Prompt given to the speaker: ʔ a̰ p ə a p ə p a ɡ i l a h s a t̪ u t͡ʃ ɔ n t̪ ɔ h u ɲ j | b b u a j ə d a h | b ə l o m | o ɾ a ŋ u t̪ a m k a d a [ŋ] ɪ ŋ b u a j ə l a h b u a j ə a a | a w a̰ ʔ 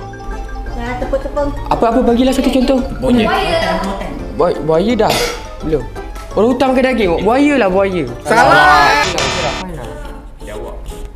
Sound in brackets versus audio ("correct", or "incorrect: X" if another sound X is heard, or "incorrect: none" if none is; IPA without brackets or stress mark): incorrect: ɡ